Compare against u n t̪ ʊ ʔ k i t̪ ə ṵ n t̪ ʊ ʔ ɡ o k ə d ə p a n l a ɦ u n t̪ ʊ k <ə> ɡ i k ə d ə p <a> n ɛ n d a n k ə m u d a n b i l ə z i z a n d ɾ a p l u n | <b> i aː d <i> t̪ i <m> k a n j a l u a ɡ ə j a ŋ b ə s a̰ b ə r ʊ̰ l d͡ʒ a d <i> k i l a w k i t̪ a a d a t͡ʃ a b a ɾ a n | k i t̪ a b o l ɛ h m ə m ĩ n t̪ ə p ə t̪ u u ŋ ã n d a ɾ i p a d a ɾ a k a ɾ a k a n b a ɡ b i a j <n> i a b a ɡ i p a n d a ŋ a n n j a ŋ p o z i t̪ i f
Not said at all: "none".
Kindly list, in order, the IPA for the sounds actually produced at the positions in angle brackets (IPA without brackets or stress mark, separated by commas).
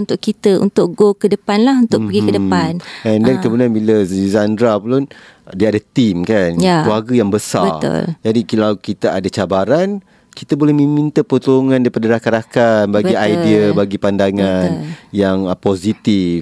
ə, a, d, a, m, i, d